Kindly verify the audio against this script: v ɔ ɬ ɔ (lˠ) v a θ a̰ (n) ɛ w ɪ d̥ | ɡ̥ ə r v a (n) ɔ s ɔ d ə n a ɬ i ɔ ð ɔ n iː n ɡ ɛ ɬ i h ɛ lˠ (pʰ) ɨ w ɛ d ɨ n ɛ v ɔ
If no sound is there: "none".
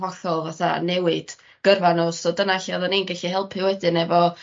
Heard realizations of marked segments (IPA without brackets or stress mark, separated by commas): lˠ, n, n, pʰ